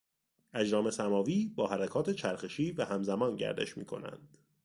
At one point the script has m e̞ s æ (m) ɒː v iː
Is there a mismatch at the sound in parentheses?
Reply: no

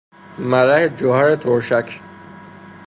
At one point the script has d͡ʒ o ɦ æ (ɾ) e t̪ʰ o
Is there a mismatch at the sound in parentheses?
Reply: no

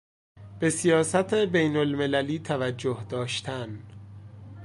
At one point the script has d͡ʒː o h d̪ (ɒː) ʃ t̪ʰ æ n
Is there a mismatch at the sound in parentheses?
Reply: no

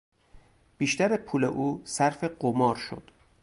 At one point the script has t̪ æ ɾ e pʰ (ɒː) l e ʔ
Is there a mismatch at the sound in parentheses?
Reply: yes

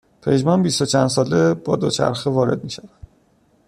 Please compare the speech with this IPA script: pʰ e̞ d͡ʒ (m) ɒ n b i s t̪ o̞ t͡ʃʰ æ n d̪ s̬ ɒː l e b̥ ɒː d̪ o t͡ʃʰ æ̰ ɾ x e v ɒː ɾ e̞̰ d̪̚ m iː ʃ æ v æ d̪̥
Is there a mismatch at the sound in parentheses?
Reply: no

